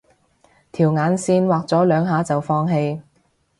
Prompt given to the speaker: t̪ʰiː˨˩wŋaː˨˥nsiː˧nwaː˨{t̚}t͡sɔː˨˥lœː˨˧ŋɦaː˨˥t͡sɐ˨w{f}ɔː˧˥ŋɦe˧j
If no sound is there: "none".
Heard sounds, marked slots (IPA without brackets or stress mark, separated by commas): k̚, f